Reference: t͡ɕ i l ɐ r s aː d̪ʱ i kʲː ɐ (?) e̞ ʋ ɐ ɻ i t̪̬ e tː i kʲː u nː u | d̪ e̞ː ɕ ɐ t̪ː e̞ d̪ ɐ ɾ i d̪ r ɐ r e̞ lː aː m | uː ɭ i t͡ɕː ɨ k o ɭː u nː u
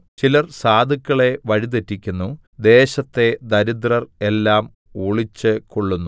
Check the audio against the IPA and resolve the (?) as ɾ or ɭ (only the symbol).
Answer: ɭ